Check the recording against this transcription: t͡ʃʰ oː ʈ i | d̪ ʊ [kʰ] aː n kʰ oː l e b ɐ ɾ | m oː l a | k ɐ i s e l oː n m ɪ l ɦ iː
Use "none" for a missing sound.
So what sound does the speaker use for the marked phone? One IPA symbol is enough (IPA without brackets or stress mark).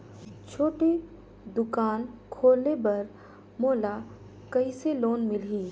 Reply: k